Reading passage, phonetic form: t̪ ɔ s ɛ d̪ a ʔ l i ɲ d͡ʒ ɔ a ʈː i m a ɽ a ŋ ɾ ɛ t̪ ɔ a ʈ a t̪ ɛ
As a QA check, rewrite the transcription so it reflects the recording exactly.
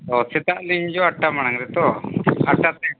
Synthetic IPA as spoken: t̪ ɔ s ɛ t̪ a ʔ l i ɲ d͡ʒ ɔ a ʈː a m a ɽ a ŋ ɾ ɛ t̪ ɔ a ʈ a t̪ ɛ

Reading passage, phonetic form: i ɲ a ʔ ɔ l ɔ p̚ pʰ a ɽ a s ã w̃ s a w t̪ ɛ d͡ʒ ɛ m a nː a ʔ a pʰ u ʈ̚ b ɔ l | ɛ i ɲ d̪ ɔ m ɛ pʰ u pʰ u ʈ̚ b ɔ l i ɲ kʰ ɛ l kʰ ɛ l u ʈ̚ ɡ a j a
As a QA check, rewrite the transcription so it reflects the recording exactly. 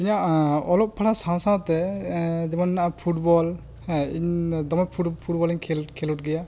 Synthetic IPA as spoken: i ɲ a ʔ ɔ l ɔ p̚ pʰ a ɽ a s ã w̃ s a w t̪ ɛ d͡ʒ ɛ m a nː a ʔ a pʰ u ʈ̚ b ɔ l | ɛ i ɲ d̪ ɔ m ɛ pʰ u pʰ u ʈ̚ b ɔ l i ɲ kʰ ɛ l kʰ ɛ l u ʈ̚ ɡ ɛ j a

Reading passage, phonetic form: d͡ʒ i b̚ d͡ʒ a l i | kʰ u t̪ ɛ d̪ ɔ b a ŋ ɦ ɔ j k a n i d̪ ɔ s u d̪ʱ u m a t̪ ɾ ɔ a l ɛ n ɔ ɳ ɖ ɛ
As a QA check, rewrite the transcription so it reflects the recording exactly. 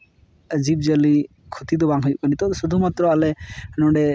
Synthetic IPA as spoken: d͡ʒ i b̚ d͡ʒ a l i | kʰ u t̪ i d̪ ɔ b a ŋ ɦ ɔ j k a n i t̪ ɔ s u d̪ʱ u m a t̪ ɾ ɔ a l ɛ n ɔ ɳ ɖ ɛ

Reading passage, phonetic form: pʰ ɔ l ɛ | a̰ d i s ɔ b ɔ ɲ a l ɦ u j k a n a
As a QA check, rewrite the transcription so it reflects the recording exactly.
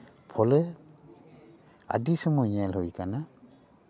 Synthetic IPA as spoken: pʰ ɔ l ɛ | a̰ d i s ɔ m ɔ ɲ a l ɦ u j k a n a

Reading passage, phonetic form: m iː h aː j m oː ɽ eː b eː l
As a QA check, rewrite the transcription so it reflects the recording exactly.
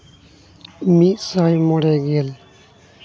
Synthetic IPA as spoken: m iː s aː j m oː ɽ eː ɡ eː l

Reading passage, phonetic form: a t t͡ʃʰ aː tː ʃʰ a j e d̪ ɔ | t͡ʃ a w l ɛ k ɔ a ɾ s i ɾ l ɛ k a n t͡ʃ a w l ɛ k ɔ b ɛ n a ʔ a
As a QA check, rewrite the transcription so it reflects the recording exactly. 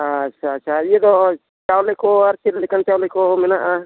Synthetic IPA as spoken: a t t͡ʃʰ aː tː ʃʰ a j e d̪ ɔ | t͡ʃ a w l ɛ k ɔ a ɾ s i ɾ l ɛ k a n t͡ʃ a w l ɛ k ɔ m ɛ n a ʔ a

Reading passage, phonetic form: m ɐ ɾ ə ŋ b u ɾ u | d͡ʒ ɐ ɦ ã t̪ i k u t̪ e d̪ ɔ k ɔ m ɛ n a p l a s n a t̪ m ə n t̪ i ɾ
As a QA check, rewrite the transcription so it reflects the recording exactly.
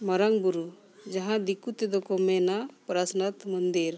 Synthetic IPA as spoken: m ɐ ɾ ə ŋ b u ɾ u | d͡ʒ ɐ ɦ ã d̪ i k u t̪ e d̪ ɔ k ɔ m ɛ n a p ɾ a s n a t̪ m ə n d̪ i ɾ

